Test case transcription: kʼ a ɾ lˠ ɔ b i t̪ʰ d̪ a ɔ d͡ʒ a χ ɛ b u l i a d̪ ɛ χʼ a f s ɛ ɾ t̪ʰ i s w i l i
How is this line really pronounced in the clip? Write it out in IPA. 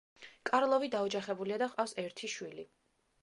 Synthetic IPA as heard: kʼ a ɾ lˠ ɔ v i d̪ a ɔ d͡ʒ a χ ɛ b u l i a d̪ a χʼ a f s ɛ ɾ t̪ʰ i ʃ w i l i